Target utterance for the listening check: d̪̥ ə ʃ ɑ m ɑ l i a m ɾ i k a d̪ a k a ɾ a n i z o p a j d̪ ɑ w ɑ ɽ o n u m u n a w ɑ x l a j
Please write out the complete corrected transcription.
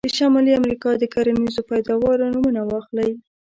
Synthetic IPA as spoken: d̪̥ ə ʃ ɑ m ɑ l i a m ɾ i k ɑ d̪ ə k a ɾ a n i z o p a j d̪ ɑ w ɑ ɾ o n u m u n a w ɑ x l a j